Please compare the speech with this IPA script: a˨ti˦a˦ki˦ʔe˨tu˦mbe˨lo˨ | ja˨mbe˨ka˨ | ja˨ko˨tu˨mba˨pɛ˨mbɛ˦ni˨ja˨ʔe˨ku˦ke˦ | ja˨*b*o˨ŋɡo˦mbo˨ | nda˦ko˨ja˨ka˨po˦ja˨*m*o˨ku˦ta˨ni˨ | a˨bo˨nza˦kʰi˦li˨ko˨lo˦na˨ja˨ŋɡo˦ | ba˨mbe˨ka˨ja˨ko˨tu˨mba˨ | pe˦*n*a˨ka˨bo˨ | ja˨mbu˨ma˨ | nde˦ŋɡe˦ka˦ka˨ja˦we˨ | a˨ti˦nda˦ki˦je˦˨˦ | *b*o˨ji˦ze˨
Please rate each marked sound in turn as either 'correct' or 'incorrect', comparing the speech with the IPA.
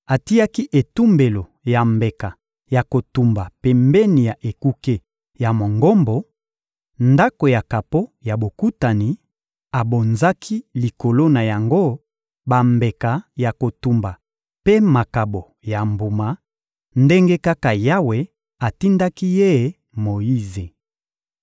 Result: incorrect: m, incorrect: b, incorrect: m, incorrect: m

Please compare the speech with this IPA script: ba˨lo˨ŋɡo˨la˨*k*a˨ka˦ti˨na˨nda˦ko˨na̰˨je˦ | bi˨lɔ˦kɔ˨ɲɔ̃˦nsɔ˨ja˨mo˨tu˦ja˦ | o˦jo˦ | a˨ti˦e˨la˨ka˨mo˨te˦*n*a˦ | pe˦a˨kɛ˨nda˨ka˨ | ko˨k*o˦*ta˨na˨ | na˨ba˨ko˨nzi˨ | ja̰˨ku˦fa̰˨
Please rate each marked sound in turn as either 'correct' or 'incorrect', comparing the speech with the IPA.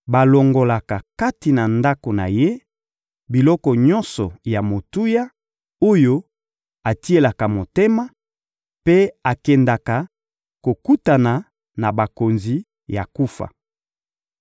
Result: correct, incorrect: m, incorrect: u˦

